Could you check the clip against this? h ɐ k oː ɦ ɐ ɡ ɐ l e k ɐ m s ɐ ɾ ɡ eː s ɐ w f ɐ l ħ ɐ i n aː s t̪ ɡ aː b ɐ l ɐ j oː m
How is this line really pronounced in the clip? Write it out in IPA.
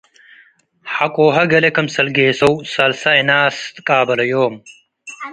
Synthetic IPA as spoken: h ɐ k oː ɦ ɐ ɡ ɐ l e k ɐ m s ɐ l ɡ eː s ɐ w s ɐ l s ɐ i n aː s t̪ k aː b ɐ l ɐ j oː m